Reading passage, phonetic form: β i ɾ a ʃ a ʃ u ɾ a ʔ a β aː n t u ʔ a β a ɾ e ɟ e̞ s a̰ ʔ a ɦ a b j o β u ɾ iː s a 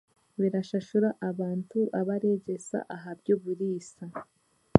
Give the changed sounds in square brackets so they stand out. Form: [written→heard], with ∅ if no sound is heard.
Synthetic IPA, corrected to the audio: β i ɾ a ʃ a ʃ u ɾ a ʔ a β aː n t u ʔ a β a ɾ e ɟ e̞ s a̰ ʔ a ɦ a b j o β u ɾ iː s a